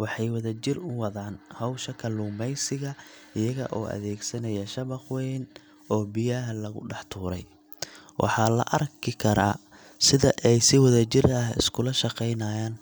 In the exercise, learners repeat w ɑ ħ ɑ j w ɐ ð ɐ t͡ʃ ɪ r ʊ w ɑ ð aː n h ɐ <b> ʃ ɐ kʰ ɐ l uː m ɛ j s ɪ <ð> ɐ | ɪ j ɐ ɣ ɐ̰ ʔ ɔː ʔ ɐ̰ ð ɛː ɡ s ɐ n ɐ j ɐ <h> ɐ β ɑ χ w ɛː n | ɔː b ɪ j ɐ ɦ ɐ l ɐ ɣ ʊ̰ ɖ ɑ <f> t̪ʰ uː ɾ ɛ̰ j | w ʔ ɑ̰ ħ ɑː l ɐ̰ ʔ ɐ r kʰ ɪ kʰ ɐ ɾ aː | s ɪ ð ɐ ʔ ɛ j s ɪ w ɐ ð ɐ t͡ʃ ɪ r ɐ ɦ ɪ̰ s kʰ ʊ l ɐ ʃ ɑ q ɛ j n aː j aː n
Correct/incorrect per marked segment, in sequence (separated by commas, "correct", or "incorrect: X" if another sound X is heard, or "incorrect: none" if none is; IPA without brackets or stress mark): incorrect: w, incorrect: ɣ, incorrect: ʃ, incorrect: ħ